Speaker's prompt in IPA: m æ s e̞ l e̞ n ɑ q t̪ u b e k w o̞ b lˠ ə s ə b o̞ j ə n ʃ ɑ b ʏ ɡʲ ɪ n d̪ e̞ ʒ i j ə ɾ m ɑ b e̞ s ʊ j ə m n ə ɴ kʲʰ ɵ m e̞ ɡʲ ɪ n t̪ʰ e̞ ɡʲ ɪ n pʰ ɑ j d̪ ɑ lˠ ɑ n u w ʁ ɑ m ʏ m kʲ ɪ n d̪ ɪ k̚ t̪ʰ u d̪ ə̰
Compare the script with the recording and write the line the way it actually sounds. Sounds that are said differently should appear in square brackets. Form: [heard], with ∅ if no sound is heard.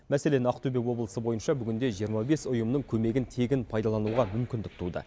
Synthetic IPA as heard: m æ s e̞ l e̞ n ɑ q t̪ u b e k w o̞ b lˠ ə s ə b o̞ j ə n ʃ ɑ b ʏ ɡʲ ɪ n d̪ e̞ ʒ i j ə ɾ m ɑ b e̞ s ʊ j ə m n ə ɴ kʲʰ ɵ m e̞ ɡʲ ɪ n t̪ʰ e̞ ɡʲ ɪ n pʰ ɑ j d̪ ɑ lˠ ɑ n u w ʁ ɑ m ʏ m kʲ ɪ n d̪ ɪ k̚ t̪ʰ u d̪ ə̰